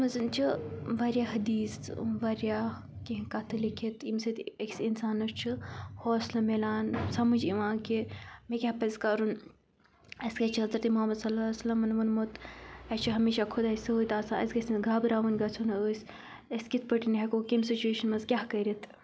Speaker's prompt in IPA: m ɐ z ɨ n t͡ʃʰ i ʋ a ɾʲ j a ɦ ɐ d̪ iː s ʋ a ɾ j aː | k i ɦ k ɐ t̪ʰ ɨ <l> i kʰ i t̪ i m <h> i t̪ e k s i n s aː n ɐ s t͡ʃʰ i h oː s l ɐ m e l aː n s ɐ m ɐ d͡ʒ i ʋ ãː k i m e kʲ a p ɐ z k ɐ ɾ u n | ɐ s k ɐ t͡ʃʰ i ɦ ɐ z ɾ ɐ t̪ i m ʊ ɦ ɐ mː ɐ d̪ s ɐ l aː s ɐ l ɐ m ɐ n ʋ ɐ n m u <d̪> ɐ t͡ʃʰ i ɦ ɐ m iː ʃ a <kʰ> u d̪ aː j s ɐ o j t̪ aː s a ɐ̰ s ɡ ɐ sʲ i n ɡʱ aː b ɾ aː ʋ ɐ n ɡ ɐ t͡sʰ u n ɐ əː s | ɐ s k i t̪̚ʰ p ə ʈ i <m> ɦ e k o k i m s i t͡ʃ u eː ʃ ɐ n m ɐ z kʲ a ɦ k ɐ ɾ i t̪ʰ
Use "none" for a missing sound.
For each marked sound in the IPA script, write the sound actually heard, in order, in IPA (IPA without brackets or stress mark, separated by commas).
l, s, t̪, kʰ, n